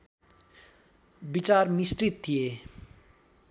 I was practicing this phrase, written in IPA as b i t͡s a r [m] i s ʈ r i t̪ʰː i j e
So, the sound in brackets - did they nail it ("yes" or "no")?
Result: yes